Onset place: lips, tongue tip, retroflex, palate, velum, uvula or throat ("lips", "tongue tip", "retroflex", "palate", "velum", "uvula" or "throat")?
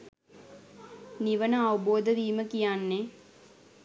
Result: tongue tip